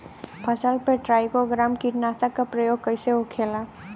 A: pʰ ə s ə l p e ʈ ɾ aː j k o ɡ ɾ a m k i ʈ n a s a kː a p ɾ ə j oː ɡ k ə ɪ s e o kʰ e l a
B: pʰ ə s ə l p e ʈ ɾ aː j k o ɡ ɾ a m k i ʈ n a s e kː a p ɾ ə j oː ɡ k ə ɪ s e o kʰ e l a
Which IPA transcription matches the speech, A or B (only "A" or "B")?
A